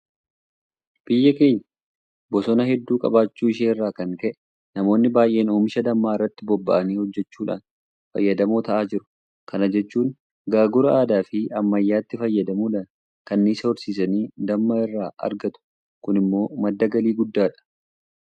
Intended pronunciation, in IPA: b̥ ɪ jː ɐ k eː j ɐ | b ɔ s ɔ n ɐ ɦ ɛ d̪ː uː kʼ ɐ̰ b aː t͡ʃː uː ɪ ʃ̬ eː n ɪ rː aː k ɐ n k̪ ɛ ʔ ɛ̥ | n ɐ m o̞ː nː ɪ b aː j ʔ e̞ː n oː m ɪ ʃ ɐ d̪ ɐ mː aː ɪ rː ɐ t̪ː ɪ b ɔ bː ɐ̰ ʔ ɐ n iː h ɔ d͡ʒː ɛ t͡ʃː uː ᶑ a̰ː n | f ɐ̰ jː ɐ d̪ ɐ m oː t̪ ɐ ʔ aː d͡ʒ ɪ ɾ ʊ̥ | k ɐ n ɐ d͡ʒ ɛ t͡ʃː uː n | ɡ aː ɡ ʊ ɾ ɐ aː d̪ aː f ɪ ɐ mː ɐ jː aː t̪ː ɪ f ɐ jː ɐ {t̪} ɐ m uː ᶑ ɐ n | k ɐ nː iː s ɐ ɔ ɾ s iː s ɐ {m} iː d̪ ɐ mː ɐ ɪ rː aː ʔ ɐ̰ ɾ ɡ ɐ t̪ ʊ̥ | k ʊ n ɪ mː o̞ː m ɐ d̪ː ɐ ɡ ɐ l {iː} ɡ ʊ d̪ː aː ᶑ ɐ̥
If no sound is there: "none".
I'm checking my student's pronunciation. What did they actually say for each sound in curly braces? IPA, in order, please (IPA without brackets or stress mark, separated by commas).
d̪, n, iː